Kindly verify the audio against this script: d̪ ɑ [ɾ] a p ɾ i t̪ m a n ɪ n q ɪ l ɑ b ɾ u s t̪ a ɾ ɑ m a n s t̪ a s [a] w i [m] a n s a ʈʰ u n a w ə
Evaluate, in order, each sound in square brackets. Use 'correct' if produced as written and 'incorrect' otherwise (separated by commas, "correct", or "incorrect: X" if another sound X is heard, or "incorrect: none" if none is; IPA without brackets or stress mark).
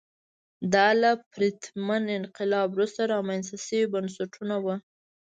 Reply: incorrect: l, incorrect: ə, incorrect: b